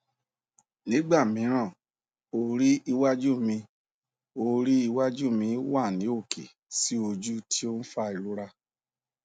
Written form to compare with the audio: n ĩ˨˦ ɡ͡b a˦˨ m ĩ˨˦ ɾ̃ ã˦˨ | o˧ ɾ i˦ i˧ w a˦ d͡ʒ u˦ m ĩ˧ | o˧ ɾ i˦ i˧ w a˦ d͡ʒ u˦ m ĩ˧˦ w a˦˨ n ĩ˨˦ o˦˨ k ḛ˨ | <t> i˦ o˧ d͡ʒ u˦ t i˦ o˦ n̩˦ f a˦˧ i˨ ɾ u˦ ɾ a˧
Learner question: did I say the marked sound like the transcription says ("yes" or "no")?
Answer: no